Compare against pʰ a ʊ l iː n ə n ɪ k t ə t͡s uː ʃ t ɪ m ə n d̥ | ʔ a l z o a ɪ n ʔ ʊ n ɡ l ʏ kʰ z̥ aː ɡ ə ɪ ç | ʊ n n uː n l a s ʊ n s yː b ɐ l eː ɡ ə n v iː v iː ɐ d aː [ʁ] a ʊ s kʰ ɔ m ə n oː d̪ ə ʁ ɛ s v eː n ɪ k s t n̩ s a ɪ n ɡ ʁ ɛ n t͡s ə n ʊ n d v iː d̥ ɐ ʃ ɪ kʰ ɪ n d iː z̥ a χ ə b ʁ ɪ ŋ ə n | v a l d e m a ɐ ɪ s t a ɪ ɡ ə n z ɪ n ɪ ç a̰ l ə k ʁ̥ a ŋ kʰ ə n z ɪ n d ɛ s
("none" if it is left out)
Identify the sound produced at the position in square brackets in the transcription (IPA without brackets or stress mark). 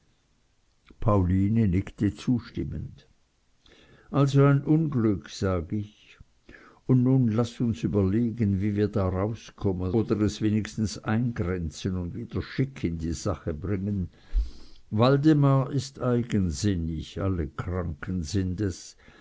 ʁ